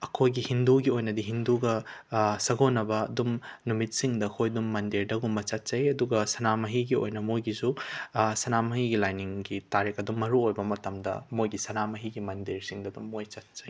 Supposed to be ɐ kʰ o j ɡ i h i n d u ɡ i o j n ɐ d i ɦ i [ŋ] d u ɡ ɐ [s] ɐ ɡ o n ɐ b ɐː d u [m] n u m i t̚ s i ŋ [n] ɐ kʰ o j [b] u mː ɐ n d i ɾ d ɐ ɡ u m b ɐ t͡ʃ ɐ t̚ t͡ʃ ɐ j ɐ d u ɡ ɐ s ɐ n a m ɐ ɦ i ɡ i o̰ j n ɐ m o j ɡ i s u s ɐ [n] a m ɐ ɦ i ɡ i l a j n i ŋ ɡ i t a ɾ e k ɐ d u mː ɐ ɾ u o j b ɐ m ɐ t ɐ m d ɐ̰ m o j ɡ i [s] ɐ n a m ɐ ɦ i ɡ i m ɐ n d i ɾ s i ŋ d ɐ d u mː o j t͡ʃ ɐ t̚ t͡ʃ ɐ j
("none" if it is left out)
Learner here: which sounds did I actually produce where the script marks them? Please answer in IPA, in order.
n, s, m, d, d, n, s

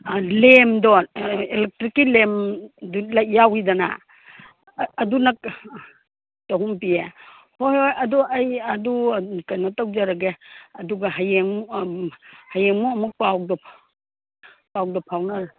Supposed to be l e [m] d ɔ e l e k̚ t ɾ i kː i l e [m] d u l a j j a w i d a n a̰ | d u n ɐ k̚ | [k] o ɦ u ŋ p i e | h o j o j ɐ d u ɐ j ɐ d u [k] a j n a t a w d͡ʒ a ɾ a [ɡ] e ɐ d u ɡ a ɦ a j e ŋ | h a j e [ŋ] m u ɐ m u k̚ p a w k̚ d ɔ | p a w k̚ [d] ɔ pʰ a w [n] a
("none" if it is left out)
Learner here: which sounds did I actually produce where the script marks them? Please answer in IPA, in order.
m, m, t, k, ɡ, ŋ, d, n

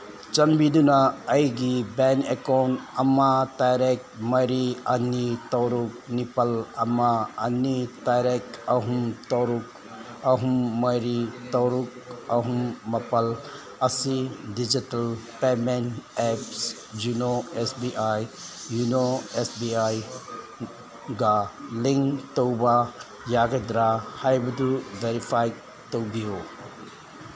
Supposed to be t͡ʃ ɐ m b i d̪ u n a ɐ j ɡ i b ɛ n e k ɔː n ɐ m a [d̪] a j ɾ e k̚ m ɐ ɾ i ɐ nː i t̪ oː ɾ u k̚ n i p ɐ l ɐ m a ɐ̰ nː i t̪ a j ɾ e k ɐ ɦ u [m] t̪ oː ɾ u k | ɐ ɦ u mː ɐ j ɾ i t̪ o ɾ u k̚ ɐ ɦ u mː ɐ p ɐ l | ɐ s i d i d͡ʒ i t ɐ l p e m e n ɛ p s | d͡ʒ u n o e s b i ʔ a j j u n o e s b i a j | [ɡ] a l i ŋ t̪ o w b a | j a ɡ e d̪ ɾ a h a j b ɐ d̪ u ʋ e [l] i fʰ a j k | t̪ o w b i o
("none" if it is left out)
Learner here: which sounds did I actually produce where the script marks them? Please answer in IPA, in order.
t̪, m, ɡ, ɾ

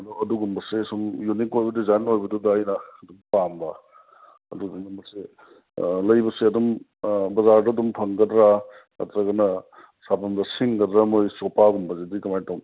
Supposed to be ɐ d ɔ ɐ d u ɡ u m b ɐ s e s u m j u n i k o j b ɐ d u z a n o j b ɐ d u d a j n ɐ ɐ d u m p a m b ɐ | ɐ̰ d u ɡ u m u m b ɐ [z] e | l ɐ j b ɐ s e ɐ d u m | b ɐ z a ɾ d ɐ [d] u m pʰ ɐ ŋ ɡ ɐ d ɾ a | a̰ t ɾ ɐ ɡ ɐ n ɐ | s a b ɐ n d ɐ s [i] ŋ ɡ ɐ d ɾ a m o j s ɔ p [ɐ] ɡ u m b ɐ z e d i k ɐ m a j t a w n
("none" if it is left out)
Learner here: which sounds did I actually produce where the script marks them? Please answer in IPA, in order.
s, d, i, a

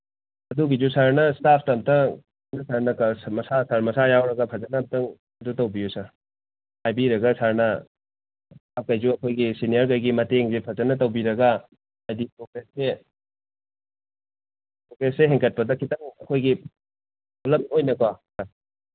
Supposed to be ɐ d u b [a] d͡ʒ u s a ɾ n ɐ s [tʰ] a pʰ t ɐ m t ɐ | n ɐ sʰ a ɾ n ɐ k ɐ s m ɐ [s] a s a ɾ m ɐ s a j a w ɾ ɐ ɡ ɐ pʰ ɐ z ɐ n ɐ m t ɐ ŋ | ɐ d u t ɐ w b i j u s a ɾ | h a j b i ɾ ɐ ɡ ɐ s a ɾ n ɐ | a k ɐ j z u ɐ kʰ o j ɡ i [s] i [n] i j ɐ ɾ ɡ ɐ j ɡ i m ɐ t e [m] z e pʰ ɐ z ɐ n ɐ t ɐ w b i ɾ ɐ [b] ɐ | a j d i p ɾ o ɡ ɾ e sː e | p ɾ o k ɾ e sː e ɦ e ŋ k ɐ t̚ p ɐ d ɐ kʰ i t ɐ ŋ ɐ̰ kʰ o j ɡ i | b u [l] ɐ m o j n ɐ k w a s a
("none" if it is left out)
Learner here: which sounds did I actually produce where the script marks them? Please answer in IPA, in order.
i, t, s, s, n, ŋ, ɡ, l

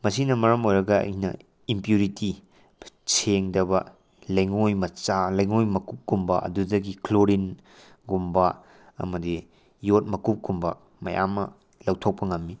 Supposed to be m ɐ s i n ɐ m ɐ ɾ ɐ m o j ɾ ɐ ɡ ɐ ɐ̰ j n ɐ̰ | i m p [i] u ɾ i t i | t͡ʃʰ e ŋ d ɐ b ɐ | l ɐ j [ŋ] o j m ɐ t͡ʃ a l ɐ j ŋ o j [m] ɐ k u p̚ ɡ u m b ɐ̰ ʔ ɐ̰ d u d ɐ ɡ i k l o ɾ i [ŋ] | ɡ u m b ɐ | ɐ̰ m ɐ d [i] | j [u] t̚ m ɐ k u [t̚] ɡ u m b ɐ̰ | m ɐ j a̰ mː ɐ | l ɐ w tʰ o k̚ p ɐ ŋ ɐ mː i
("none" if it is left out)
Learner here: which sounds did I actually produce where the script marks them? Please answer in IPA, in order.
j, ŋ, m, n, i, o, p̚

